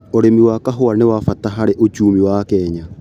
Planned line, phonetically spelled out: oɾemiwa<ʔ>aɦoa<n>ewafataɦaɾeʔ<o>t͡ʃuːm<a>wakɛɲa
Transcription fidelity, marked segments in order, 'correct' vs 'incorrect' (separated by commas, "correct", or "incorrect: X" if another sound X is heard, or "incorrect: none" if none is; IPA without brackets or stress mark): incorrect: k, correct, correct, incorrect: i